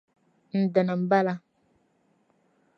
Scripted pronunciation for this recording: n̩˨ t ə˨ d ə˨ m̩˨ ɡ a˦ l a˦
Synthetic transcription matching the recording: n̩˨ d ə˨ n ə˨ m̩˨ b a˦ l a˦